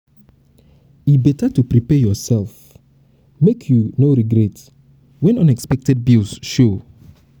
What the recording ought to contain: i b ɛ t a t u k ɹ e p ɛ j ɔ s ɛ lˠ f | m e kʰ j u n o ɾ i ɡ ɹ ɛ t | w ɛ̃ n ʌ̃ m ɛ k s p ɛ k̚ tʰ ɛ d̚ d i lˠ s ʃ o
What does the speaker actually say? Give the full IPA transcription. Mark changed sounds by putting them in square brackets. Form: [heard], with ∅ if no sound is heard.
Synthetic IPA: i b ɛ t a t u [p] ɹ [i] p ɛ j ɔ s ɛ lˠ f | m e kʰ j u n o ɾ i ɡ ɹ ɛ t | w ɛ̃ n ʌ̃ [n] ɛ k s p ɛ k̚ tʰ ɛ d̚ [b] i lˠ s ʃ o